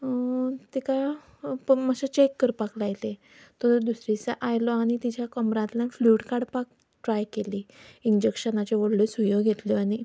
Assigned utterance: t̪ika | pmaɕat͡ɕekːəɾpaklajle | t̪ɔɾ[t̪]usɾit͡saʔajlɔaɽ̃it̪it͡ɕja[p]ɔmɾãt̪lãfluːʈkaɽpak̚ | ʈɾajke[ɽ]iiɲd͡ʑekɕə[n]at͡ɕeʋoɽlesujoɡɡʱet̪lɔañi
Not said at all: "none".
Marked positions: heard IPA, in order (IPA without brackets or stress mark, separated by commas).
d̪, k, l, n